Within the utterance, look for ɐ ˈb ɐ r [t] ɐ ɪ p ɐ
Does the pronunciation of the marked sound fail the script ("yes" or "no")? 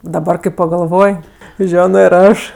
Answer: yes